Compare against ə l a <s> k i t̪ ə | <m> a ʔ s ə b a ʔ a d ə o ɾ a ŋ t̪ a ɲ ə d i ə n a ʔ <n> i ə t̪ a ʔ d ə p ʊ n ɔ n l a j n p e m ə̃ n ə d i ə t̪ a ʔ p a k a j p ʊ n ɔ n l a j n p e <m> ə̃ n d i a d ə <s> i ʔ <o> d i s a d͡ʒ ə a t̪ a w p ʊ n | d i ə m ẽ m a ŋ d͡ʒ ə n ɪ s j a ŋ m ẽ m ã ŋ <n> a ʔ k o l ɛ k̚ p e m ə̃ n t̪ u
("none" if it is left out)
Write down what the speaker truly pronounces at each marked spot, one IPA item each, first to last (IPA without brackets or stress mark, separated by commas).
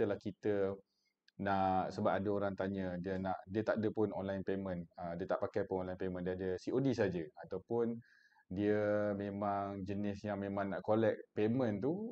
h, n, d, m, s, o, n